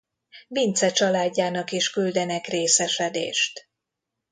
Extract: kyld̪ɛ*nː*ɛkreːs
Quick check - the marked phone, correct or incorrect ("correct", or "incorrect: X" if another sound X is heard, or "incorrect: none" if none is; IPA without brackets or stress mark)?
incorrect: n